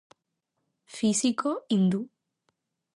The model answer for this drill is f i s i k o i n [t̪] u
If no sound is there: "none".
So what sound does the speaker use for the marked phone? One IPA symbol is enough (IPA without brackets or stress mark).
d̪